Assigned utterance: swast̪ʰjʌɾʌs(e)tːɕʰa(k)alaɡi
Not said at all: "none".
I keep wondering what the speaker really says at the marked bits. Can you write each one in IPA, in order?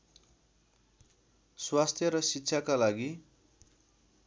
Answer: i, k

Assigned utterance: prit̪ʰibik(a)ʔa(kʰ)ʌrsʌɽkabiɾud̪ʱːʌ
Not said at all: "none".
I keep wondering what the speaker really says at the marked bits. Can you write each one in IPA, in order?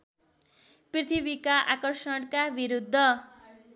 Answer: a, k

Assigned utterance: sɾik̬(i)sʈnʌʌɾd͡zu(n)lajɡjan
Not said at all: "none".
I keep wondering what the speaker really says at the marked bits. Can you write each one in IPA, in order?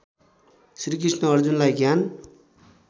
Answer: i, n

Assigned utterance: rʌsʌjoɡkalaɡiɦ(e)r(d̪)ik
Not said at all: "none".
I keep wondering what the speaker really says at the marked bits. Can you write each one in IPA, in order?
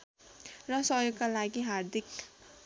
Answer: a, d̪

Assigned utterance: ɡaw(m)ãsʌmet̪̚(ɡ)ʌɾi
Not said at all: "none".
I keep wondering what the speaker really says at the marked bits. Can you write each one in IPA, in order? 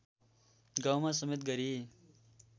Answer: m, ɡ

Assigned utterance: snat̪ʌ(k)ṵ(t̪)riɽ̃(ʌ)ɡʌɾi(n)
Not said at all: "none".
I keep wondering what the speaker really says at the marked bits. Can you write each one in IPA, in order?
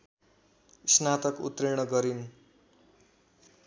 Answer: k, t̪, ʌ, n

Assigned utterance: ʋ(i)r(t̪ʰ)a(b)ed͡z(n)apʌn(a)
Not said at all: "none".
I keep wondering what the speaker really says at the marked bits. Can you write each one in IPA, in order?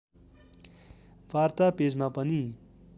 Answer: a, t̪, p, m, i

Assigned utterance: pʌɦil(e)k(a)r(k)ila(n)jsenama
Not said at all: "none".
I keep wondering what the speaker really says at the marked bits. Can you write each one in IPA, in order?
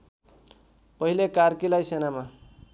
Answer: e, a, k, none

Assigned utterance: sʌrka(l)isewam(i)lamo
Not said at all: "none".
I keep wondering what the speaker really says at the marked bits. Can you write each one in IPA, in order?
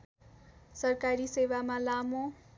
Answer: ɾ, a

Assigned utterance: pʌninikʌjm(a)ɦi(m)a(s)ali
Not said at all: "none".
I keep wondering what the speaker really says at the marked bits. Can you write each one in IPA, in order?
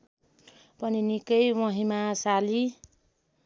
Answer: ʌ, m, s

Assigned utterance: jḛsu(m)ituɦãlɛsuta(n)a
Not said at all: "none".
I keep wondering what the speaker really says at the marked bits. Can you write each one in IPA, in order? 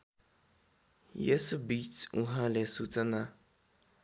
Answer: b, n

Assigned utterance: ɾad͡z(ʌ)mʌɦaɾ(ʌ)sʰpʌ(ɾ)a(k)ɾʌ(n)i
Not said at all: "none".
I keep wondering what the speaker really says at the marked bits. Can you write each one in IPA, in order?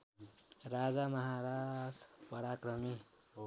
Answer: a, a, ɾ, k, m

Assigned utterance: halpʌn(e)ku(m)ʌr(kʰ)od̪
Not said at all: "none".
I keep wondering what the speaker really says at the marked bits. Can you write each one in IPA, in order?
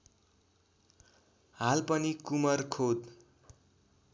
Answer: i, m, kʰ

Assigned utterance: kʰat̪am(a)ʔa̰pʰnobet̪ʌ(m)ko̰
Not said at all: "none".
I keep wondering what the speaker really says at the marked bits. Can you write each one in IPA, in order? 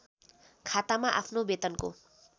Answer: a, n

